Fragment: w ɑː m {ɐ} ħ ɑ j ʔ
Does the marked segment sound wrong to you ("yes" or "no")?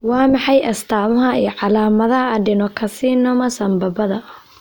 yes